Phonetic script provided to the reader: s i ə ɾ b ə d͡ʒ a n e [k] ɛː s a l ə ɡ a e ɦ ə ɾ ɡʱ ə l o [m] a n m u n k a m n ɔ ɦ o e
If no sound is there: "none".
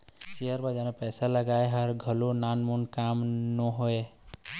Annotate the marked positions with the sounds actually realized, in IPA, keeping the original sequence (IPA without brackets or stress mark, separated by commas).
p, n